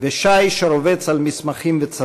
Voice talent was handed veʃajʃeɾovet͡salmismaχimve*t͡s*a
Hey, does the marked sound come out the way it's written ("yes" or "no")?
yes